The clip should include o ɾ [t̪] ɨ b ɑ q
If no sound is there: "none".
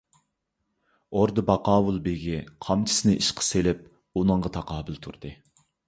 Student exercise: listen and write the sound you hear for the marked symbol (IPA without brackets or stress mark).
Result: d̪